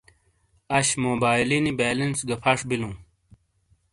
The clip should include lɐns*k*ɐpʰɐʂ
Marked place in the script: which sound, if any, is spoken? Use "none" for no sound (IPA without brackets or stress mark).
ɡ